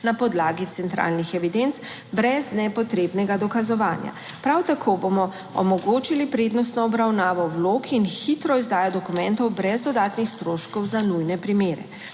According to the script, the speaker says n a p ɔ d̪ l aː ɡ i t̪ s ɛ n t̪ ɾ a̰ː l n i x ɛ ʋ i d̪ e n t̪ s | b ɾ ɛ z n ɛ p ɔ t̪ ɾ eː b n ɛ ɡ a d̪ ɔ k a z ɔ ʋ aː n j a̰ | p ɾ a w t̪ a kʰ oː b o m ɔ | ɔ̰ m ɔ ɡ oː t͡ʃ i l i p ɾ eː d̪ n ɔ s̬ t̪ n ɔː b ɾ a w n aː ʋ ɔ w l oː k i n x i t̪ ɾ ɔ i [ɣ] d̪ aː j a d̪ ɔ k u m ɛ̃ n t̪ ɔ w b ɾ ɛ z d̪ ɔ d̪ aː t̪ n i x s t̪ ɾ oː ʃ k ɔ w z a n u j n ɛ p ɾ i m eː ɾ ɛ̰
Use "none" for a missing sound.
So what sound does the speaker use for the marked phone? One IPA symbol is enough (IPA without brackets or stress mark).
z